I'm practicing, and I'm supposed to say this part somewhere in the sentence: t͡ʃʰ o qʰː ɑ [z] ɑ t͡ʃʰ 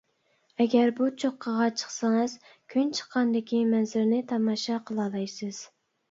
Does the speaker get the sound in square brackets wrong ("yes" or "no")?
yes